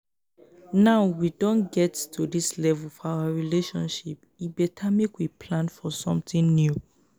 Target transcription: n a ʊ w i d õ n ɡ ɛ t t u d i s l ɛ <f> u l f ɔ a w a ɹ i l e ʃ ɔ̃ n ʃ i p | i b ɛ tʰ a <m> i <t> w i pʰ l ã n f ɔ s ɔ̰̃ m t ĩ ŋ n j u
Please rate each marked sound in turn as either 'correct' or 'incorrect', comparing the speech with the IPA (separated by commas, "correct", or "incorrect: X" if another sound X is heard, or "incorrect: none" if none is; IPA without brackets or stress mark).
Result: incorrect: v, correct, incorrect: k